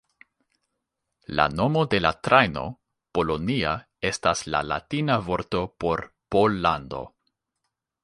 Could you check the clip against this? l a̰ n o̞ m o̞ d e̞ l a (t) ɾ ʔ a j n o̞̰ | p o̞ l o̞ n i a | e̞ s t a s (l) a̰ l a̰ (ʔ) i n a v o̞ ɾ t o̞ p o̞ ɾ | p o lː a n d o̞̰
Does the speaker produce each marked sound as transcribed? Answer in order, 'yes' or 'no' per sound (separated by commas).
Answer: yes, yes, no